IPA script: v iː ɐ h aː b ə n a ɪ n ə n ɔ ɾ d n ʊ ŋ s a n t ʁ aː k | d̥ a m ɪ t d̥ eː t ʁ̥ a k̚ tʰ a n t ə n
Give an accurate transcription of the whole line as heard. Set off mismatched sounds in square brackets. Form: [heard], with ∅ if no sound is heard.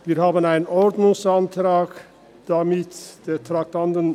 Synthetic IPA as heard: v iː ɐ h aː b ə n a ɪ n ə n ɔ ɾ d n ʊ ŋ s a n t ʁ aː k | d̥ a m ɪ t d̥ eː t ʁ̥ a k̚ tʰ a n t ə n